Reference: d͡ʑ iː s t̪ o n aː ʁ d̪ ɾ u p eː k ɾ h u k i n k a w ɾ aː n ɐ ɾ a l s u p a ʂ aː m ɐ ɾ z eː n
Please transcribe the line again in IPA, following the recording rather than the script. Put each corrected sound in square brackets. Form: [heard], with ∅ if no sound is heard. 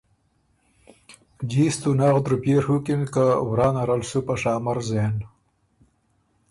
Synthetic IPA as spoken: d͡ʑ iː s t̪ [u] n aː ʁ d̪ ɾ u p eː [∅] ɾ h u k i n k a w ɾ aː n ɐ ɾ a l s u p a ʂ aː m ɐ ɾ z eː n

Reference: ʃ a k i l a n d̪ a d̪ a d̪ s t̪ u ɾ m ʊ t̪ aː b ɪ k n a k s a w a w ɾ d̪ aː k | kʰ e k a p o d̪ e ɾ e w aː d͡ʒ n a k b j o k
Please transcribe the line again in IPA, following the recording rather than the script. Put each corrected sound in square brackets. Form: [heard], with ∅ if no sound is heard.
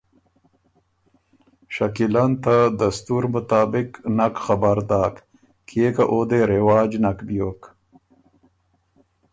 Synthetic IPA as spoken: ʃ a k i l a n [t̪] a d̪ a [∅] s t̪ u ɾ m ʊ t̪ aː b ɪ k n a k [x] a [b] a [∅] ɾ d̪ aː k | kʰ e k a [ʔ] o d̪ e ɾ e w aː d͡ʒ n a k b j o k

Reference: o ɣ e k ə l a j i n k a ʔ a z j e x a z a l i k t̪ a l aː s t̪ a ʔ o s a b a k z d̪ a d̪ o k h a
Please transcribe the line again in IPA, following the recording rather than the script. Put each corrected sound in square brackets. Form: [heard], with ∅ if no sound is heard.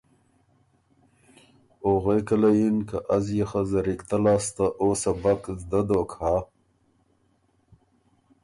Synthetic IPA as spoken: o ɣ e k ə l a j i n k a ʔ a z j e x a z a [ɾ] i k t̪ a l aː s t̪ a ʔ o s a b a k z d̪ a d̪ o k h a

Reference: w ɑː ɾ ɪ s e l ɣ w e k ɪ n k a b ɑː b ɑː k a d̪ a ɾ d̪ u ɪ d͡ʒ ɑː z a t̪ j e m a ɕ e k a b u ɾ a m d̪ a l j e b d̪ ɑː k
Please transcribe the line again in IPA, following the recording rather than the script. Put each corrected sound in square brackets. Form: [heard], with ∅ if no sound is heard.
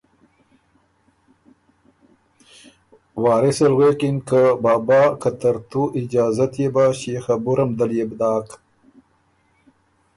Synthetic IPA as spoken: w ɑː ɾ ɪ s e l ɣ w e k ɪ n k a b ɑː b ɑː k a [t̪] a ɾ [t̪] u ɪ d͡ʒ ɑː z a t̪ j e [b] a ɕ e [x] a b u ɾ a m d̪ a l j e b d̪ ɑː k

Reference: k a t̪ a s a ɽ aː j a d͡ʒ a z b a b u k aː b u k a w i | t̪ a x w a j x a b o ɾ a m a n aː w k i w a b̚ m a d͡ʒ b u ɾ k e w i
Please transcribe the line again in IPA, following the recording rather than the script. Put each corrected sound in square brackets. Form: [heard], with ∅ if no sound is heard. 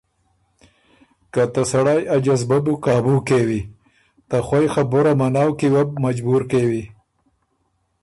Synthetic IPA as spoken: k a t̪ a s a ɽ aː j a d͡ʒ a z b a b u k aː b u k [e] w i | t̪ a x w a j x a b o ɾ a m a n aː w k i w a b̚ m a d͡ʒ b u ɾ k e w i

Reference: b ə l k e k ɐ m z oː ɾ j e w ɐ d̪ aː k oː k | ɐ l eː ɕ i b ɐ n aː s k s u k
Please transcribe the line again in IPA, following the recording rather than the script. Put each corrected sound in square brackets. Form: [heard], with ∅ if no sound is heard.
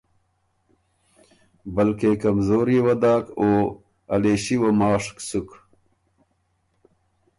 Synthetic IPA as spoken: b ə l k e k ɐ m z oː ɾ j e w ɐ d̪ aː k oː [∅] | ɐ l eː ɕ i [w] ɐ [m] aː [ʂ] k s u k

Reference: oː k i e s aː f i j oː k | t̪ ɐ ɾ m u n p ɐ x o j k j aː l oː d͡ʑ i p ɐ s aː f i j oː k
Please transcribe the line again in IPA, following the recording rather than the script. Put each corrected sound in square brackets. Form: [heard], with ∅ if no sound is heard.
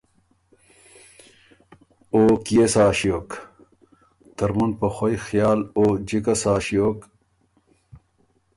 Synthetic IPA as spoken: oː k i e s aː [ɕ] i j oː k | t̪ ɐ ɾ m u n p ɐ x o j [x] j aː l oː d͡ʑ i [k] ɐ s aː [ɕ] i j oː k

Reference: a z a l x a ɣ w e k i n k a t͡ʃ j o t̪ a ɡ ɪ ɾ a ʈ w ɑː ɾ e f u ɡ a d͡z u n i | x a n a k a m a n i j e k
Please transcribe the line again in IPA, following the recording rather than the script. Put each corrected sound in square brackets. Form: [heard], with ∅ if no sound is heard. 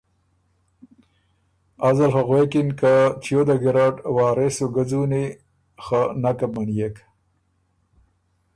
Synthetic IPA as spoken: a z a l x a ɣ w e k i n k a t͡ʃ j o [d̪] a ɡ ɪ ɾ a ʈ w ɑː ɾ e [s] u ɡ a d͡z u n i | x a n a k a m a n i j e k

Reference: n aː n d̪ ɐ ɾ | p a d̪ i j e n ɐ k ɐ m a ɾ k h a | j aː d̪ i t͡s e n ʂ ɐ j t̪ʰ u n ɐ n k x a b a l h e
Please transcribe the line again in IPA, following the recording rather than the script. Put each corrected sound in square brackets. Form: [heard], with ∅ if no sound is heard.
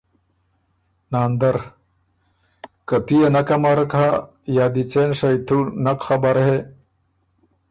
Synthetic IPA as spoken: n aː n d̪ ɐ ɾ | [k] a [t̪] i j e n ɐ k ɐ m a ɾ k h a | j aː d̪ i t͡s e n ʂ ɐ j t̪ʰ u n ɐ [∅] k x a b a [ɾ] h e

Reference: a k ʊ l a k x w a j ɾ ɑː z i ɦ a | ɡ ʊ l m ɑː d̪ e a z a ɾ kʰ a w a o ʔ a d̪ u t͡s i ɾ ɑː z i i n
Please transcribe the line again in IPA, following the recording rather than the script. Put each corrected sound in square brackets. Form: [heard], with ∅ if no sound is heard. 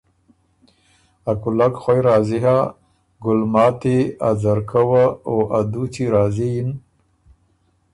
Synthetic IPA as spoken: a k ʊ l a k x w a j ɾ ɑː z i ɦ a | ɡ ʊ l m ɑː [t̪] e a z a ɾ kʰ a w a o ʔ a d̪ u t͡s i ɾ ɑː z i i n

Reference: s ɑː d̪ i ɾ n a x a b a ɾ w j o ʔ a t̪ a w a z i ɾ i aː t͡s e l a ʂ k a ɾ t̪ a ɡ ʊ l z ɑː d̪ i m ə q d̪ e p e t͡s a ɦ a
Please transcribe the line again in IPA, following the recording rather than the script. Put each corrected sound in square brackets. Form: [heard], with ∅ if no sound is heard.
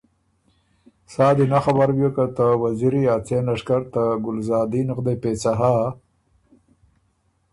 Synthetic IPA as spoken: s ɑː d̪ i [∅] n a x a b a ɾ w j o [k] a t̪ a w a z i ɾ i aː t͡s e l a ʂ k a ɾ t̪ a ɡ ʊ l z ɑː d̪ i [n] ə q d̪ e p e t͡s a ɦ a

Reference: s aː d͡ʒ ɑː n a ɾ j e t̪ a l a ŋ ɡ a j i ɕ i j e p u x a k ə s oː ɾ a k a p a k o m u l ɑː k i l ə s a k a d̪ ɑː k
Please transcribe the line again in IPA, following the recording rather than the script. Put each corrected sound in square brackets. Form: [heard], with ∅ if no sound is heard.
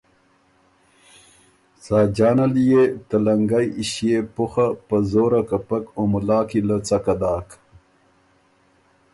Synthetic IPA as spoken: s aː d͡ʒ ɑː n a [l] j e t̪ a l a ŋ ɡ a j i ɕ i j e p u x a [p] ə [z] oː ɾ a k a p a k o m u l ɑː k i l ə [t͡s] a k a d̪ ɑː k

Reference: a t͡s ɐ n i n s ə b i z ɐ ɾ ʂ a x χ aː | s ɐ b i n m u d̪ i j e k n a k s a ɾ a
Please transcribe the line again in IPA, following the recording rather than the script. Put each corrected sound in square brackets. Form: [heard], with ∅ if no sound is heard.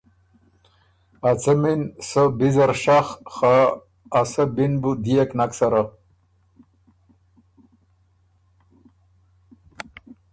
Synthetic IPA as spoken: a t͡s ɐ [m] i n s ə b i z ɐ ɾ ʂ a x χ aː | s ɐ b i n [b] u d̪ i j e k n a k s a ɾ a

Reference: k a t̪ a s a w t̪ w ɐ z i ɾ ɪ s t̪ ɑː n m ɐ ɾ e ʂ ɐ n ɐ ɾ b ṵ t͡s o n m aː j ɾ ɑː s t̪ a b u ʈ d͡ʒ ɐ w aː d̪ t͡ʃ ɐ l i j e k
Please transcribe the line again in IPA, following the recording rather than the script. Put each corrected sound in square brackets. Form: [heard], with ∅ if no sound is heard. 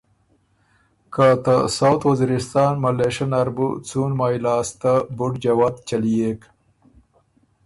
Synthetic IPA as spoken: k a t̪ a s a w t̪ w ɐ z i ɾ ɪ s t̪ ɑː n m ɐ [l] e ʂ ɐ n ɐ ɾ b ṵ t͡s [u] n m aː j [l] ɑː s t̪ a b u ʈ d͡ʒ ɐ w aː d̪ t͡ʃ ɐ l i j e k

